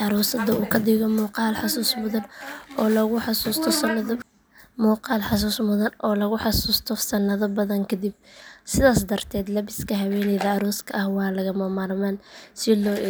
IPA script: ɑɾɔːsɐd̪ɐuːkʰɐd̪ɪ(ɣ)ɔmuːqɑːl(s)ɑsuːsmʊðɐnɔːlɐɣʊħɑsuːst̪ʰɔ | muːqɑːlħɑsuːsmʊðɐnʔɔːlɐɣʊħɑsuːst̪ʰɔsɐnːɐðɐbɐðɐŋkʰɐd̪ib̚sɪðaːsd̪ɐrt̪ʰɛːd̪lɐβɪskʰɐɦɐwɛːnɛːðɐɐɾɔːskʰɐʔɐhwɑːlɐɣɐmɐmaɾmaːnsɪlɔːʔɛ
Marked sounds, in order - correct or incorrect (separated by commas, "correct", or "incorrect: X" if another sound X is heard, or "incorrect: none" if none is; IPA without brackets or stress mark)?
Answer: correct, incorrect: ħ